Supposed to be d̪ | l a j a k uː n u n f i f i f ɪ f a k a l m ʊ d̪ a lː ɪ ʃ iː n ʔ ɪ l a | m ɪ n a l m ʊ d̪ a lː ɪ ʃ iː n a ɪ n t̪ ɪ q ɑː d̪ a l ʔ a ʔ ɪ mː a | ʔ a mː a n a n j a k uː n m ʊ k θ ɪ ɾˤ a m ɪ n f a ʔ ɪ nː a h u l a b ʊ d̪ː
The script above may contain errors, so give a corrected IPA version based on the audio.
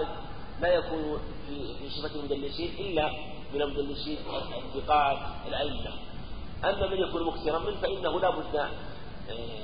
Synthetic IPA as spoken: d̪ | l a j a k uː n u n f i f i ʃ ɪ f a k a l m ʊ d̪ a lː ɪ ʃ iː n ʔ ɪ lː a | m ɪ n a l m ʊ d̪ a lː ɪ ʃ iː n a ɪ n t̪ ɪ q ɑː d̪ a l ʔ a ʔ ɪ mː a | ʔ a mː a m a n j a k uː n m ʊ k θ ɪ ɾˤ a m ɪ n f a ʔ ɪ nː a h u l a b ʊ d̪ː